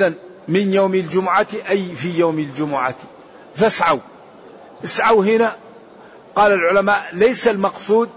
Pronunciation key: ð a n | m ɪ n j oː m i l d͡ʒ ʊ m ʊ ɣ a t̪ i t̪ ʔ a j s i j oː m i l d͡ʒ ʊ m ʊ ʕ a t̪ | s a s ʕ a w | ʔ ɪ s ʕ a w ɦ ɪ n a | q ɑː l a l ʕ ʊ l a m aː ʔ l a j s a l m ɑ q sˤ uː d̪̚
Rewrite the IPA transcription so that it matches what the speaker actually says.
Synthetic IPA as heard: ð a n | m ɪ n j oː m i l d͡ʒ ʊ m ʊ ʕ a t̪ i ʔ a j f i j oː m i l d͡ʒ ʊ m ʊ ʕ a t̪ | f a s ʕ a w | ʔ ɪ s ʕ a w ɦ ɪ n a | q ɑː l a l ʕ ʊ l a m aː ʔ l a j s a l m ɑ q sˤ uː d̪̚